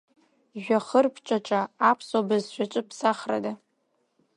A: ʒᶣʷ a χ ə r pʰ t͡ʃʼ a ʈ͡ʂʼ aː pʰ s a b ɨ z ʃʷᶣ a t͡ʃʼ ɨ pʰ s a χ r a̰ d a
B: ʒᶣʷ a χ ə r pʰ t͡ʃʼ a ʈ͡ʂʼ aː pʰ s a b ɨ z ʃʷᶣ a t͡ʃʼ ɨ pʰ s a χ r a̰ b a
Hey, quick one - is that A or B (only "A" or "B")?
A